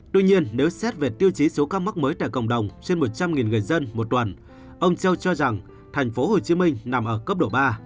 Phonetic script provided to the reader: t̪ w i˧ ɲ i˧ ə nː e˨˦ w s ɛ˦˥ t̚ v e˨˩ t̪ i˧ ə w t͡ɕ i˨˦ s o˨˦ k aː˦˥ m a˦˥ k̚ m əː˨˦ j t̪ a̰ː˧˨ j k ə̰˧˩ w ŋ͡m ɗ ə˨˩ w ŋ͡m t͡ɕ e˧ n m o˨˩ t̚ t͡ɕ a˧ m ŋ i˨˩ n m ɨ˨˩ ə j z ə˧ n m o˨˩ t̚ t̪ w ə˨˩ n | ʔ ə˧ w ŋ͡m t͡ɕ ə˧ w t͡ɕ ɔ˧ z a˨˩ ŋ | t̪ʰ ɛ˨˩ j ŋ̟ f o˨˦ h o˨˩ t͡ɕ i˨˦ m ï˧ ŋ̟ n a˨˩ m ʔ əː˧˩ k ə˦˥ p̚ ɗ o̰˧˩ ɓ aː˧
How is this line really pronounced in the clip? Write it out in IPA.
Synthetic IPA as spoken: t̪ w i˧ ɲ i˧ ə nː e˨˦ w s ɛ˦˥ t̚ v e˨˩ t̪ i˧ ə w t͡ɕ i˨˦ s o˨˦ k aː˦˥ m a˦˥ k̚ m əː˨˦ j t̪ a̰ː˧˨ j k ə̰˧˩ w ŋ͡m ɗ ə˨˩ w ŋ͡m t͡ɕ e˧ n m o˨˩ t̚ t͡ɕ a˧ m ŋ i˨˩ n ŋ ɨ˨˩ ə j z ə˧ n m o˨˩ t̚ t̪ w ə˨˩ n | ʔ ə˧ w ŋ͡m t͡ɕ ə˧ w t͡ɕ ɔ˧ z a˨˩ ŋ | t̪ʰ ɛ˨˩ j ŋ̟ f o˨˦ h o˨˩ t͡ɕ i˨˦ m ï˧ ŋ̟ n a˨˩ m ʔ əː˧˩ k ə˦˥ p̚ ɗ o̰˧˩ ɓ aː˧

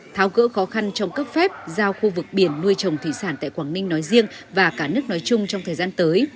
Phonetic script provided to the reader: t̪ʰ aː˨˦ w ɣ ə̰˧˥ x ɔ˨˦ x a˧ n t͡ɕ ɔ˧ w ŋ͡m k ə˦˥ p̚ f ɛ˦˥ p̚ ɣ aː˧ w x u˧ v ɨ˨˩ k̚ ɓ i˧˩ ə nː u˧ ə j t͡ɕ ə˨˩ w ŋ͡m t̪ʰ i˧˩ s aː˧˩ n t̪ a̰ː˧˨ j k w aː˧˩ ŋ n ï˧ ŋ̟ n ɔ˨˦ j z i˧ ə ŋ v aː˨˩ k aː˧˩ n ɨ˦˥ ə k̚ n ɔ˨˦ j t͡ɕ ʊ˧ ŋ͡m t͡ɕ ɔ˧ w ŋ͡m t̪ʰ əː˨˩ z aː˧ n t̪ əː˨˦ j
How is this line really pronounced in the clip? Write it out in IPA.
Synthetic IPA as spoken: t̪ʰ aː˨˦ w ɣ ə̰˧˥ x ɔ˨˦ x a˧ n t͡ɕ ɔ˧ w ŋ͡m k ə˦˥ p̚ f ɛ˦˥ p̚ z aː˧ w x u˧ v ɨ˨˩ k̚ ɓ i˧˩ ə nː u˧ ə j t͡ɕ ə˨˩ w ŋ͡m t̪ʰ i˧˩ s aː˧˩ n t̪ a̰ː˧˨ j k w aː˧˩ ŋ n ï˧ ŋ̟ n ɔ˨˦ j z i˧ ə ŋ v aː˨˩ k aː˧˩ n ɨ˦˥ ə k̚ n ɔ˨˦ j t͡ɕ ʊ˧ ŋ͡m t͡ɕ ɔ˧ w ŋ͡m t̪ʰ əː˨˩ z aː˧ n t̪ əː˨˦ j

